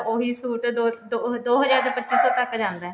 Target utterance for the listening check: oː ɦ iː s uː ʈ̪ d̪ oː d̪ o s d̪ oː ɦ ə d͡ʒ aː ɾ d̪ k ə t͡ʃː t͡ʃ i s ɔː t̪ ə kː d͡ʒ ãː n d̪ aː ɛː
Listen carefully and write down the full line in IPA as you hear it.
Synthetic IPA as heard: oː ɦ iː s uː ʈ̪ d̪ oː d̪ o d̪ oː ɦ ə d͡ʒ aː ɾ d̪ p ə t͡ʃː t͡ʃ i s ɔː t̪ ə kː d͡ʒ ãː n d̪ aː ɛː